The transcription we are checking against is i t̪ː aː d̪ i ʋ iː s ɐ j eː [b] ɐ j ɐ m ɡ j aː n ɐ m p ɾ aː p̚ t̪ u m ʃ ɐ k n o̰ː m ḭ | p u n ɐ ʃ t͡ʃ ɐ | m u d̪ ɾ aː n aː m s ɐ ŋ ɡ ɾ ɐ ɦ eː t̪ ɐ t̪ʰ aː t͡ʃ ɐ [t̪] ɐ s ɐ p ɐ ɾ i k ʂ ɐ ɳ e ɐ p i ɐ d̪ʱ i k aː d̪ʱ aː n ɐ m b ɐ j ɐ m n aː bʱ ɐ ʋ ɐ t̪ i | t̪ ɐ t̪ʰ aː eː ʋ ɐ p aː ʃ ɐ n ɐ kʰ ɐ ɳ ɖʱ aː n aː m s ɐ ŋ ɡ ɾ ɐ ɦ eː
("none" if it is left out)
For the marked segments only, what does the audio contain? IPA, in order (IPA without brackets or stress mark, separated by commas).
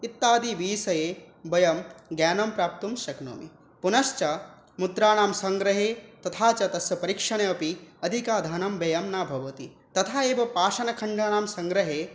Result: b, t̪